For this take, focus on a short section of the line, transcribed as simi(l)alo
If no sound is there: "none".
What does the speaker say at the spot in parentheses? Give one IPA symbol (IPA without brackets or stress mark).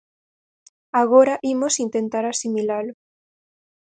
l